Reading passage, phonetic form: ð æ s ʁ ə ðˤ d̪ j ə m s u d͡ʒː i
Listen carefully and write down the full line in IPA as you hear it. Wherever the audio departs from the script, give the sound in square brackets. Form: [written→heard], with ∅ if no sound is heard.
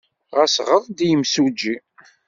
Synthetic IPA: [ð→ʁ] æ s ʁ ə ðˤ d̪ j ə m s u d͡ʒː i

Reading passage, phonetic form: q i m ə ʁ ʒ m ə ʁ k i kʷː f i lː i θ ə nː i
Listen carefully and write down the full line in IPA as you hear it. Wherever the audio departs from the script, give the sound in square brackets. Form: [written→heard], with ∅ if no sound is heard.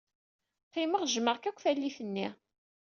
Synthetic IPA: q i m ə ʁ ʒ m ə ʁ k [i→æ] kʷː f [i→æ] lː i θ ə nː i

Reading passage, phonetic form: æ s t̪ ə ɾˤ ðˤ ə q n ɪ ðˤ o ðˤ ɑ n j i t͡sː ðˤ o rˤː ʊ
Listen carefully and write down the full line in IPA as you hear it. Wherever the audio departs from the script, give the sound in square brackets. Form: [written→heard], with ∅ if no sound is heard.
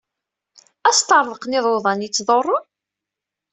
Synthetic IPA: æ s t̪ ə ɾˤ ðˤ ə q n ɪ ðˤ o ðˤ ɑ n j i t͡sː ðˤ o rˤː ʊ

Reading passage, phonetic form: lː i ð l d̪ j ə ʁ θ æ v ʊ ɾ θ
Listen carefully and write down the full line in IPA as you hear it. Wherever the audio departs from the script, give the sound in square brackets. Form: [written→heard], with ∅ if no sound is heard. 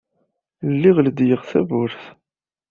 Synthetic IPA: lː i [ð→ʁ] l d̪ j ə ʁ θ æ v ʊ ɾ θ

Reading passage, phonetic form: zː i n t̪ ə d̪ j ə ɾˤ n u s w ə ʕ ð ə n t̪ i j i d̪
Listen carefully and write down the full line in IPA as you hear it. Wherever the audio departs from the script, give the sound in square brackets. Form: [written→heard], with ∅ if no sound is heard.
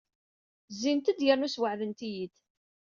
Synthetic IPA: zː i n t̪ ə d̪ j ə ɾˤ n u s w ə ʕ ð ə n t̪ i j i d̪

